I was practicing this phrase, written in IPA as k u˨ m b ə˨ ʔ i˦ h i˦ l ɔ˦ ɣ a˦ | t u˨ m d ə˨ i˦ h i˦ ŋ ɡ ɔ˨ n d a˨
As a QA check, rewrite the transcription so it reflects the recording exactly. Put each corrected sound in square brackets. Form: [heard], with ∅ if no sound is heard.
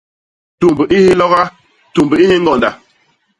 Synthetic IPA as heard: [t] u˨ m b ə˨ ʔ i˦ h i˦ l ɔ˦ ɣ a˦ | t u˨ m [b] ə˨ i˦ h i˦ ŋ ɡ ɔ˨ n d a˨